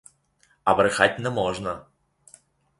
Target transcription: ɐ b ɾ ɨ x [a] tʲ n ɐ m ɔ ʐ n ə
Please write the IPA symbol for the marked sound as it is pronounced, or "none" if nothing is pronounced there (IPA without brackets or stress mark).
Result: a